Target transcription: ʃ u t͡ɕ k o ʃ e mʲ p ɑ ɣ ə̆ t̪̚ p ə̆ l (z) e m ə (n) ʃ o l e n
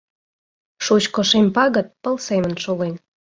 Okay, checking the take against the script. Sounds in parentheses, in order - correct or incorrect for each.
incorrect, correct

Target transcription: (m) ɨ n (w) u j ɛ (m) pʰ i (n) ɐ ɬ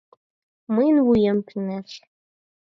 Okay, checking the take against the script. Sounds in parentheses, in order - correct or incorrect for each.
correct, correct, correct, correct

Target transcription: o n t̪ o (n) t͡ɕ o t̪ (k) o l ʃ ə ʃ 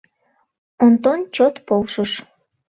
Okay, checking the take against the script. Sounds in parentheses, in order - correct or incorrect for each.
correct, incorrect

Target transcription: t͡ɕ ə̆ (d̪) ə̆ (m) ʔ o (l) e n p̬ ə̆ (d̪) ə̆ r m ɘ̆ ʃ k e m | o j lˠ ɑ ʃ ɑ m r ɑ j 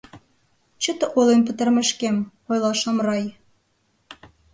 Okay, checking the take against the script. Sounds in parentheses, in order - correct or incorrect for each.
incorrect, incorrect, correct, incorrect

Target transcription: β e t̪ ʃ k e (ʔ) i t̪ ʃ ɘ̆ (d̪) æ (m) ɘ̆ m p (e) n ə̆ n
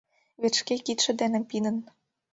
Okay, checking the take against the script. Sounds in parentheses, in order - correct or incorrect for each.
incorrect, correct, incorrect, incorrect

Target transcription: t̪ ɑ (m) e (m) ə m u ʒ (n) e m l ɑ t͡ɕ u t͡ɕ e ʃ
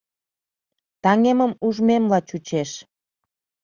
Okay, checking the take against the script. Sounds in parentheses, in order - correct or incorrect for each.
incorrect, correct, incorrect

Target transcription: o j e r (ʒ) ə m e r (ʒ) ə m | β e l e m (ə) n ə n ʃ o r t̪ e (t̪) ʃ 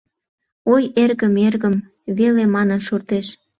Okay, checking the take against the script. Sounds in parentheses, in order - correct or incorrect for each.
incorrect, incorrect, incorrect, incorrect

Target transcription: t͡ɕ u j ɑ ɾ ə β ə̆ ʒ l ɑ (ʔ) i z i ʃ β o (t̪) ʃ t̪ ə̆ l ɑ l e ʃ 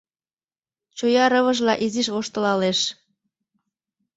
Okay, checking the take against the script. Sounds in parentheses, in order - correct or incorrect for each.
correct, incorrect

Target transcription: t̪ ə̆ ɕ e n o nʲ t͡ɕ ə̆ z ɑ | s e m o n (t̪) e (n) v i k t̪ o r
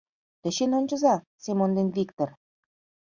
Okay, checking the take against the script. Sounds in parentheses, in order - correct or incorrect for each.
incorrect, correct

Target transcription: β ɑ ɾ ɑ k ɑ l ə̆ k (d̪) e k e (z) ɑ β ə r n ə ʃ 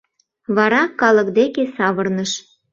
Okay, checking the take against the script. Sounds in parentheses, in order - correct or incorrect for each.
correct, incorrect

